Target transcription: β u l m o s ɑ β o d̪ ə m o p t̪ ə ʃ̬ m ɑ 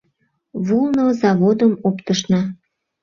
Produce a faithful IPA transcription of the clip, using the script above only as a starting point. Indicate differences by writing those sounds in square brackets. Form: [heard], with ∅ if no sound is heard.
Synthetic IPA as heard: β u l [n] o [z] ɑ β o d̪ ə m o p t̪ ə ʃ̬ [n] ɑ